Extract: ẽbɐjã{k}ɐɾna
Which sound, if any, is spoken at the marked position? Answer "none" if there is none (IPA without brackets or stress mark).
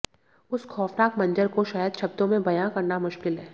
k